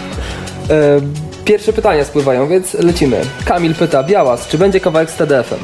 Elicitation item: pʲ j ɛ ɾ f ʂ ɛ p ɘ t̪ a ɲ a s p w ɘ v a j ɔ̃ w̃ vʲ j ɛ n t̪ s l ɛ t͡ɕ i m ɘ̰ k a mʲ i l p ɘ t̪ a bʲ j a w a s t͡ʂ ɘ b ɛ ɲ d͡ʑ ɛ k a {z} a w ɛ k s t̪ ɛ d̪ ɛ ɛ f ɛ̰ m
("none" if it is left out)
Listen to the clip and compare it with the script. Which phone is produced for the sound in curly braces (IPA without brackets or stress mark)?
v